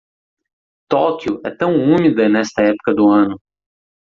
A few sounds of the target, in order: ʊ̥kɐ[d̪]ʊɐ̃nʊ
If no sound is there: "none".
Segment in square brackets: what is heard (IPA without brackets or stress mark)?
d̪